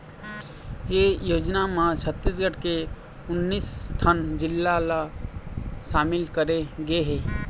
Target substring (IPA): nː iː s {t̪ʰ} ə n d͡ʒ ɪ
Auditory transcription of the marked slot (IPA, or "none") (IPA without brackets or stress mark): t̪ʰ